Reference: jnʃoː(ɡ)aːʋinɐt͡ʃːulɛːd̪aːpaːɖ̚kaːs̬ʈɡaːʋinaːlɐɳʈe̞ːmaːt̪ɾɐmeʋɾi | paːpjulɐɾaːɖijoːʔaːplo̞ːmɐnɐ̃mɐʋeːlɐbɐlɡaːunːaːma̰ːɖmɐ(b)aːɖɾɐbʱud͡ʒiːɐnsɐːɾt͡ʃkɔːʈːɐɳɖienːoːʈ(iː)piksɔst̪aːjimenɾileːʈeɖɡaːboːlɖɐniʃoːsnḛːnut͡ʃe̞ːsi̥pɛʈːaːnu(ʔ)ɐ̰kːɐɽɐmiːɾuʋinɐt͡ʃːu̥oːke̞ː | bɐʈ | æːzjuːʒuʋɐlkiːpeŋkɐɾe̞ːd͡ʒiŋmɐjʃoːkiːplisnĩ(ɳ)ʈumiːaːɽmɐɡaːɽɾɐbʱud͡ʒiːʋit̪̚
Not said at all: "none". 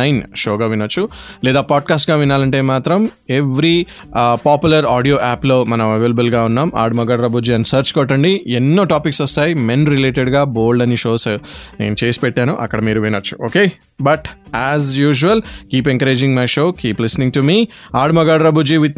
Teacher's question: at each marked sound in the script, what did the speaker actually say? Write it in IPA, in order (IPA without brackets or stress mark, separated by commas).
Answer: ɡ, ɡ, aː, ʔ, ŋ